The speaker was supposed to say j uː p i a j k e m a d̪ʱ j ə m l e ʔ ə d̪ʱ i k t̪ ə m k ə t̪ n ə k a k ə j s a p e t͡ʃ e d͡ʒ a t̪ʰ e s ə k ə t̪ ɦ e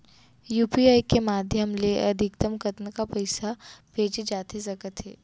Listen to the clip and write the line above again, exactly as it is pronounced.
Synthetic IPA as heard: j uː p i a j k e m a d̪ʱ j ə m l e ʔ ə d̪ʱ i k t̪ ə m k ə t̪ n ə k a p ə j s a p e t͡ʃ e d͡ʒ a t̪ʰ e s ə k ə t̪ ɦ e